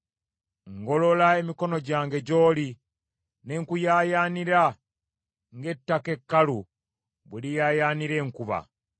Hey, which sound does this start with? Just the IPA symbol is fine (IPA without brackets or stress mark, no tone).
ŋ